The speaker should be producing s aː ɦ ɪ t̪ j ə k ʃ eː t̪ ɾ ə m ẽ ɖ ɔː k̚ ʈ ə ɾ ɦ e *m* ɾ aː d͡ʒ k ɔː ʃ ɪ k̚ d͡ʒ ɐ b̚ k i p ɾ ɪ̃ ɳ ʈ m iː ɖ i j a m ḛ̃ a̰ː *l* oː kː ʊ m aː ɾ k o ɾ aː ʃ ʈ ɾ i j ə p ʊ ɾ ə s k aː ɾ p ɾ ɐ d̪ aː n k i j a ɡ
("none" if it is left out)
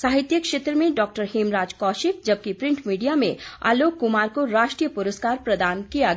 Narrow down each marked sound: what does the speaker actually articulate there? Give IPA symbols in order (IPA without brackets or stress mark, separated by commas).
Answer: m, l